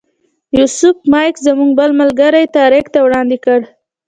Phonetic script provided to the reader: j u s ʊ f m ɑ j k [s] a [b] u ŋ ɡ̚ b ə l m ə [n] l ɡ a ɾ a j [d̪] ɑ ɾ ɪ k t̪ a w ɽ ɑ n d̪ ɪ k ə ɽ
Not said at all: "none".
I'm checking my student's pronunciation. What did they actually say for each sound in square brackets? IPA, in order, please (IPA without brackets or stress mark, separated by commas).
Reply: z, m, none, t̪